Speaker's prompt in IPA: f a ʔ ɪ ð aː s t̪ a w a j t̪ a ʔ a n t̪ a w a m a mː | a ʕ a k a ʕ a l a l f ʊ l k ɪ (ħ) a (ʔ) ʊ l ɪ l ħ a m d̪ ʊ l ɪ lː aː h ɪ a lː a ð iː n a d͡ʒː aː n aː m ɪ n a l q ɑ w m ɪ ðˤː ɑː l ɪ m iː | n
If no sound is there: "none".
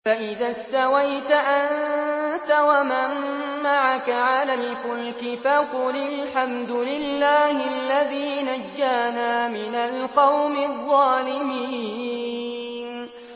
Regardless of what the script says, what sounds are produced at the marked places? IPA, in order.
f, q

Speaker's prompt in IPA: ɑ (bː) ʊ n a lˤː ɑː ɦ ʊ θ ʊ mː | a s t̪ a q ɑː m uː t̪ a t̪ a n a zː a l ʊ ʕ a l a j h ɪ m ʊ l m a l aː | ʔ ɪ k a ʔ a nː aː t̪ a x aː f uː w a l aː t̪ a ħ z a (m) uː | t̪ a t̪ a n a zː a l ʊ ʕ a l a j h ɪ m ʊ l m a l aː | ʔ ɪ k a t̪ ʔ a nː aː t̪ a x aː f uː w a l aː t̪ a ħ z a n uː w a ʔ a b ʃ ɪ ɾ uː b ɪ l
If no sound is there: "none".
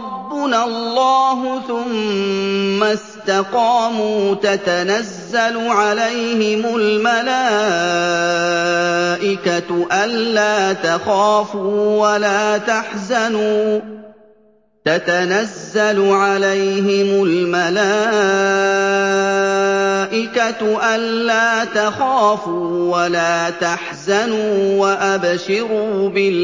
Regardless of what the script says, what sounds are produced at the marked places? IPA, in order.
bː, n

